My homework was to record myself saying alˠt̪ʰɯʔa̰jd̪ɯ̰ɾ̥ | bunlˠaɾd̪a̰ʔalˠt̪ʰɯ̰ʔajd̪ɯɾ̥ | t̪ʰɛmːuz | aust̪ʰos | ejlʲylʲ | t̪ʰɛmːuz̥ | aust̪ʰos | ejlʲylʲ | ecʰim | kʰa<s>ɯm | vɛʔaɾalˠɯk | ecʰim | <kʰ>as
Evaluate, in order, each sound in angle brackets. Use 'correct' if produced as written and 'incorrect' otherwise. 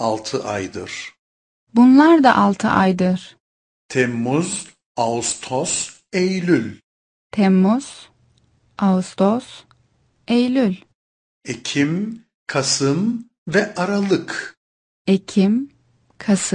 correct, correct

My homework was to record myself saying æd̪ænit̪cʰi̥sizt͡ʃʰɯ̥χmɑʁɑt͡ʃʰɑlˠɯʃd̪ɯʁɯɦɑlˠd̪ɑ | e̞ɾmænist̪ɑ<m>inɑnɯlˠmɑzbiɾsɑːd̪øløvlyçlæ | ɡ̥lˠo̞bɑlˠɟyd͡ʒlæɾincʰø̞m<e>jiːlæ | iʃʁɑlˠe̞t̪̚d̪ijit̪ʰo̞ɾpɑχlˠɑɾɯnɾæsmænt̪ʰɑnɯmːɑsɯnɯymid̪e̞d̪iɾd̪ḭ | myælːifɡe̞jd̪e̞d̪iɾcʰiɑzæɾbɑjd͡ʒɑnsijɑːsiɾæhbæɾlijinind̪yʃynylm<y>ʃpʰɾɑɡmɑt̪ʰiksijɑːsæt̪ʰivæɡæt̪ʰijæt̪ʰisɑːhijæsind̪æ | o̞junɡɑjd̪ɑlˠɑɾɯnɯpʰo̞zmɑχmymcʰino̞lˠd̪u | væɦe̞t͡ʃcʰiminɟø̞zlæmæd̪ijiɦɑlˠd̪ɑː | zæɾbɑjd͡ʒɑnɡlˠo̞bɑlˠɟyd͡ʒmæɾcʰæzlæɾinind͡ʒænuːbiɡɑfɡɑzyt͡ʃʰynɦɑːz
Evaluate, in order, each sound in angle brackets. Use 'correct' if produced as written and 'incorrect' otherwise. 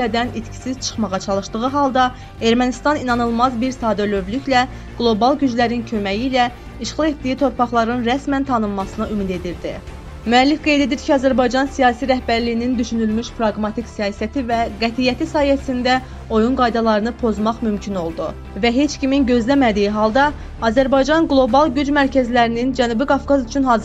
incorrect: n, incorrect: æ, correct

